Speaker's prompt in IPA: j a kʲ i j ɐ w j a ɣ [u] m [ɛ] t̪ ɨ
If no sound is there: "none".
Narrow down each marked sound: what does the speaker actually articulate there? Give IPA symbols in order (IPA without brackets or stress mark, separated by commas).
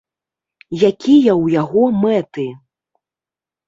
ɔ, ɛ